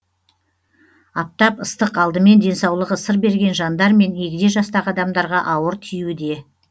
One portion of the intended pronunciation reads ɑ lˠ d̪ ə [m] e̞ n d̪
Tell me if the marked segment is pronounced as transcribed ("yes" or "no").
yes